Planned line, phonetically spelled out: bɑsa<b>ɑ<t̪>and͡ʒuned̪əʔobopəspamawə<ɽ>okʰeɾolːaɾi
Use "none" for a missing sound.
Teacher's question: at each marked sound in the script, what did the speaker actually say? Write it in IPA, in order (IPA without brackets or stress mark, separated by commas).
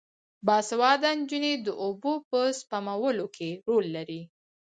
w, d̪, l